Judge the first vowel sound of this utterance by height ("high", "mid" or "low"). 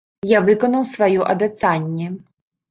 low